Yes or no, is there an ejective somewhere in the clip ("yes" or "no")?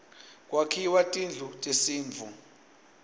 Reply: yes